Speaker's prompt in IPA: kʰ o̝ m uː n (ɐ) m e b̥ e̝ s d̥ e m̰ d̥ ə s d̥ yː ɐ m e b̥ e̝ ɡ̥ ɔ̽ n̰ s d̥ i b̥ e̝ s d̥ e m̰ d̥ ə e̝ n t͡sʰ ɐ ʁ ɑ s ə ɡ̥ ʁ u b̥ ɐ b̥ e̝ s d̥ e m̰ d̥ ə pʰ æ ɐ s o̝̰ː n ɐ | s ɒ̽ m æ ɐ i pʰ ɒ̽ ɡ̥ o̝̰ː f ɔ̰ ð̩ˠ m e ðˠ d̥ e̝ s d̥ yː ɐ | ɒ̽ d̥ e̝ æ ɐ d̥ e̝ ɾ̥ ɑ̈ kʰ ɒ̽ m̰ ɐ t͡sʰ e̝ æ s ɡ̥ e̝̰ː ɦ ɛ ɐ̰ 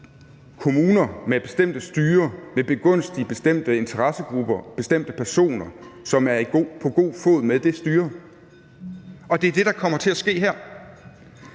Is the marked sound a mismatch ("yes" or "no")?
no